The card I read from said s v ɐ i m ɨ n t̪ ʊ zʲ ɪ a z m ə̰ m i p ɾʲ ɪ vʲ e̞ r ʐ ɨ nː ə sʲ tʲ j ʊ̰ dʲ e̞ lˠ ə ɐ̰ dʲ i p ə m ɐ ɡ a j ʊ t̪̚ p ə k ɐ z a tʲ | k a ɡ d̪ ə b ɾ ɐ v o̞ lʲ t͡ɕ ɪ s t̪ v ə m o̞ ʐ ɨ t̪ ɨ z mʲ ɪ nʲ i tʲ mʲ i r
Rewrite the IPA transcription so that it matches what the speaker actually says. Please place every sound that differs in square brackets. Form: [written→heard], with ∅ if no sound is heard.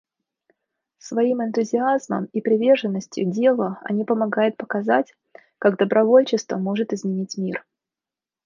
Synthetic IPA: s v ɐ i m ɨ n t̪ ʊ zʲ ɪ a z m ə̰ m i p ɾʲ ɪ vʲ e̞ r ʐ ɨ nː ə sʲ tʲ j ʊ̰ dʲ e̞ lˠ ə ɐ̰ [dʲ→nʲ] i p ə m ɐ ɡ a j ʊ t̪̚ p ə k ɐ z a tʲ | k a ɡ d̪ ə b ɾ ɐ v o̞ lʲ t͡ɕ ɪ s t̪ v ə m o̞ ʐ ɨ t̪ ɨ z mʲ ɪ nʲ i tʲ mʲ i r